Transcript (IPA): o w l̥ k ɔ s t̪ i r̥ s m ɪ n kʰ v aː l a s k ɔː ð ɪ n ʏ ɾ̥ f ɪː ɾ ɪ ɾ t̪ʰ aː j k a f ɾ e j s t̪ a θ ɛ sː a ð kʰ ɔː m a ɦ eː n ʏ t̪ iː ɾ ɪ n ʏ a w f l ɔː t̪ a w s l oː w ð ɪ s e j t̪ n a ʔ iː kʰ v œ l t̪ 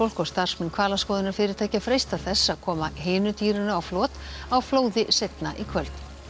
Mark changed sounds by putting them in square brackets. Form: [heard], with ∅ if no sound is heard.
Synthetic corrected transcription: o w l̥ k ɔ s t̪ [a] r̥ s m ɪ n kʰ v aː l a s k ɔː ð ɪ n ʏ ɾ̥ f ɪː ɾ ɪ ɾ t̪ʰ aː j [c] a f ɾ e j s t̪ a θ ɛ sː a ð kʰ ɔː m a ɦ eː n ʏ t̪ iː ɾ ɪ n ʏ a w f l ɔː t̪ a w [f] l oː w ð ɪ s e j t̪ n a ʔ [i] kʰ v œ l t̪